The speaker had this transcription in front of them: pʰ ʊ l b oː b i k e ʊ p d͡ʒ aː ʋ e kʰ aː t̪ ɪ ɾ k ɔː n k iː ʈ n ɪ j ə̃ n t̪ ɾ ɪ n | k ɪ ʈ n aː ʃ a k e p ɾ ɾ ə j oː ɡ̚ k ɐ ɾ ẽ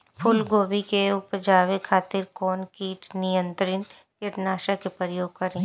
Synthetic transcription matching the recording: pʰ ʊ l ɡ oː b i k e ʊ p d͡ʒ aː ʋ e kʰ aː t̪ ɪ ɾ k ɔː n k iː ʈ n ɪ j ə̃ n t̪ ɾ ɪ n | k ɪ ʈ n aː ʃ a k e p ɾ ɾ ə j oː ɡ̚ k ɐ ɾ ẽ